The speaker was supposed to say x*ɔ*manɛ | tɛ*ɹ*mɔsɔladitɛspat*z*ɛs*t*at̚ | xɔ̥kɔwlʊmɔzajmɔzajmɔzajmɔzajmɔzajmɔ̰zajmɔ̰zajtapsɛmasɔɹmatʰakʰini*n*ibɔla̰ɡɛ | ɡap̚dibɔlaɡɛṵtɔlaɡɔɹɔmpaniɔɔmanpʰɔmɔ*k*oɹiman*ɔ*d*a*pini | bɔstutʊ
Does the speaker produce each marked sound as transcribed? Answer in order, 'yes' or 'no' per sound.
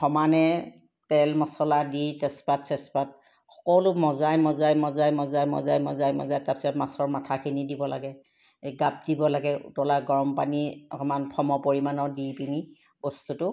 yes, no, no, no, no, no, yes, no

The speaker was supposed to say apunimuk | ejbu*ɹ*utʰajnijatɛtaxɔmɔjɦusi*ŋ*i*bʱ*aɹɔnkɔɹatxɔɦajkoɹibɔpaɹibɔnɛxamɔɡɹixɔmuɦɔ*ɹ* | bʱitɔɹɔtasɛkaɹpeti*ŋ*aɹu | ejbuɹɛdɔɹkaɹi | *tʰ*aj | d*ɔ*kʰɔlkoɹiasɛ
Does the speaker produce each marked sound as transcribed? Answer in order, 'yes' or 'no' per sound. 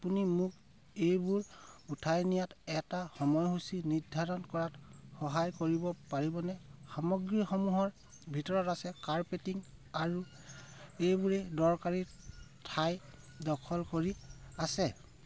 yes, no, no, yes, yes, yes, yes

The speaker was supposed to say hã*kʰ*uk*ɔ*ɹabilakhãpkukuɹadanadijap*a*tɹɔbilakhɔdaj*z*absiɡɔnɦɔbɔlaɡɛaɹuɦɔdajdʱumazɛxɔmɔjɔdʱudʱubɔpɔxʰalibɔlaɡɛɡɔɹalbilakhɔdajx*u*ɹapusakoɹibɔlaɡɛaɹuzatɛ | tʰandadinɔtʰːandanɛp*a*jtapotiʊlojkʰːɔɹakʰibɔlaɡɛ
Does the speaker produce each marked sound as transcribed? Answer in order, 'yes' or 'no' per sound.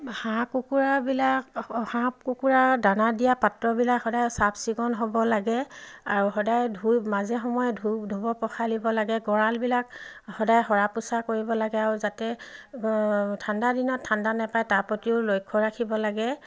no, no, yes, no, no, yes

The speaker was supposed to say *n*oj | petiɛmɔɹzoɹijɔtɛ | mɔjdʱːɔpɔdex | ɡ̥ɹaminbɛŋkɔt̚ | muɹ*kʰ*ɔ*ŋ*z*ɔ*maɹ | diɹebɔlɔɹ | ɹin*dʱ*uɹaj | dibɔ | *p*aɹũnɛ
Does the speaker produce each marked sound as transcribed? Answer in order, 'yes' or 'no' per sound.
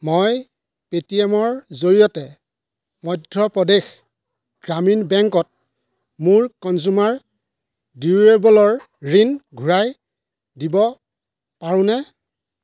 no, no, no, no, no, yes

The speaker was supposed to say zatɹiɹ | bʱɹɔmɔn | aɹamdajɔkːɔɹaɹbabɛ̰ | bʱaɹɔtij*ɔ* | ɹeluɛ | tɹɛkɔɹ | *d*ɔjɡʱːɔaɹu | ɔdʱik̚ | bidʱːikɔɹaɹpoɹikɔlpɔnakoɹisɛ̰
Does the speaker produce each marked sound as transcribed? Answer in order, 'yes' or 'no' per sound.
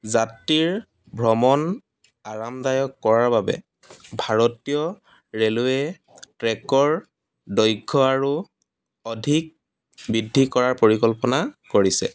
yes, yes

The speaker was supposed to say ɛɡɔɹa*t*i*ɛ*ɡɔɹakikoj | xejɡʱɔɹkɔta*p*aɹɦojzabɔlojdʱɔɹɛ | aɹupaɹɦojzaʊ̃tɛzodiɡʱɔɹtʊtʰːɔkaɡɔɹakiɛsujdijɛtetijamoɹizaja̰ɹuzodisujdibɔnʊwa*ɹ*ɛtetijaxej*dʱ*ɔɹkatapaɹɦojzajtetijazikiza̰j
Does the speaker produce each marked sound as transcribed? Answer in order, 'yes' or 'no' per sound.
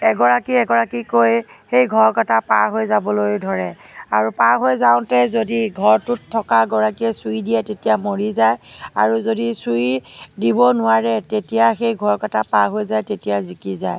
no, yes, yes, yes, no

